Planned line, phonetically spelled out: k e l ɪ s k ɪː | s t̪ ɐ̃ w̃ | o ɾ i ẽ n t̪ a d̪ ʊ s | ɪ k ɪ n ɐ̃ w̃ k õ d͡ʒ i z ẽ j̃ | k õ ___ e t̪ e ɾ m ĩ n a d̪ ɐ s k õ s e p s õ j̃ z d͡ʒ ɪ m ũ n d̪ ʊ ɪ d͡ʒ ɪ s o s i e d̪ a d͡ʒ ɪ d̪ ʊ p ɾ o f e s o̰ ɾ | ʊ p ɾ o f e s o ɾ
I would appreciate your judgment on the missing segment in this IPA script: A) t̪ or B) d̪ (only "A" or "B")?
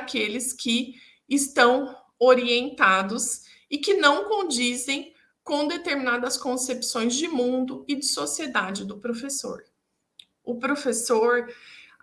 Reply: B